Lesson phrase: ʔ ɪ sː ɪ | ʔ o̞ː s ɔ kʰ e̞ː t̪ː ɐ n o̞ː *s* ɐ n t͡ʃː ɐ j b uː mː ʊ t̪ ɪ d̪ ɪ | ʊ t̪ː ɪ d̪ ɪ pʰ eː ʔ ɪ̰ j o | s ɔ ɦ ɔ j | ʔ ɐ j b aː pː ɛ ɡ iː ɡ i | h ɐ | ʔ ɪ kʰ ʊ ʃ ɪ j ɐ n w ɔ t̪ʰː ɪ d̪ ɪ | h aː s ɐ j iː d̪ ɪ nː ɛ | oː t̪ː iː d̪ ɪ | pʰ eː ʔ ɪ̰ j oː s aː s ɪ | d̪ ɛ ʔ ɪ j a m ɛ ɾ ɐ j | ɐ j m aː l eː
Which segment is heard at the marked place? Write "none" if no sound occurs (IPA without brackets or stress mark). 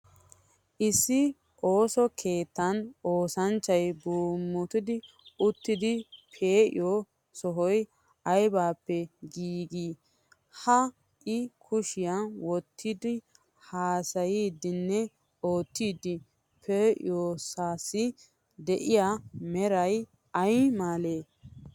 s